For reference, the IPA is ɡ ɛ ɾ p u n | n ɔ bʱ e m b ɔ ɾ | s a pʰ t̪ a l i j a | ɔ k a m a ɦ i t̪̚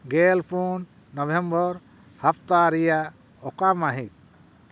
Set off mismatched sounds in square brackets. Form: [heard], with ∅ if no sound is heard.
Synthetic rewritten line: ɡ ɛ [l] p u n | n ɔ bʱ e m b ɔ ɾ | [h] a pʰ t̪ a [ɾ] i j a | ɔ k a m a ɦ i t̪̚